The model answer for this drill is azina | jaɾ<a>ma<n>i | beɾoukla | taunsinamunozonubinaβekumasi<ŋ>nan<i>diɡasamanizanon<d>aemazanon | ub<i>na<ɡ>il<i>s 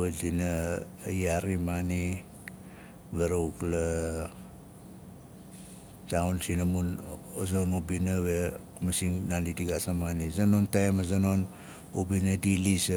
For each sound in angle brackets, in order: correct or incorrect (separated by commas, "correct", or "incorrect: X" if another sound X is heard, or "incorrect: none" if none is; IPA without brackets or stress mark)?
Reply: incorrect: i, correct, correct, correct, incorrect: t, correct, incorrect: d, correct